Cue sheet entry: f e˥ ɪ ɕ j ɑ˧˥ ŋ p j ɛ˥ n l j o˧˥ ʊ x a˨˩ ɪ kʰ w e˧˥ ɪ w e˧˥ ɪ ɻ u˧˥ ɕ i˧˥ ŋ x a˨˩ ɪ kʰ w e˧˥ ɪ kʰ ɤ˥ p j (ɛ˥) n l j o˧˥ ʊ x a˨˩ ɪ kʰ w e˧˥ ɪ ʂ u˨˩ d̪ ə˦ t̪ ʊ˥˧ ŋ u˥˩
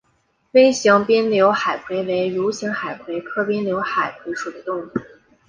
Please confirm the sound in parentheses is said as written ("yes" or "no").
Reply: yes